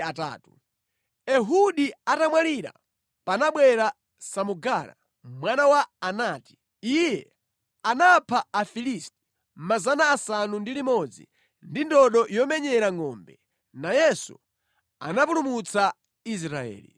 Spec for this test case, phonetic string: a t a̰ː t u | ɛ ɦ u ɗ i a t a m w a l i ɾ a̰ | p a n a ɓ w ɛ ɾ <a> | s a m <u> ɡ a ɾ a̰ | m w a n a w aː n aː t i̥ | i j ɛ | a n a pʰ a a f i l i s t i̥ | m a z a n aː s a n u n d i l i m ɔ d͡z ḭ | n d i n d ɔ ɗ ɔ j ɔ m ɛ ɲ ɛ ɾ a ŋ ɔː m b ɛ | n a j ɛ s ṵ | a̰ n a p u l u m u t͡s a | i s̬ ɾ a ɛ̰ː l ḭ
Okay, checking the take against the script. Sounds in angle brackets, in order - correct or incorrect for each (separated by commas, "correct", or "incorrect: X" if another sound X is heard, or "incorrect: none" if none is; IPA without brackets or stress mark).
correct, correct